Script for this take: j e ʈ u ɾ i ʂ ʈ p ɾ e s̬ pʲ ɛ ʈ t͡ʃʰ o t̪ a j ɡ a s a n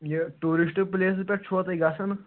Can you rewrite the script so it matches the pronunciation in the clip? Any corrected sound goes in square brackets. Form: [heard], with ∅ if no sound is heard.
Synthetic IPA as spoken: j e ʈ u ɾ i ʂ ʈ p [l] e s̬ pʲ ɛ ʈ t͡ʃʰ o t̪ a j ɡ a s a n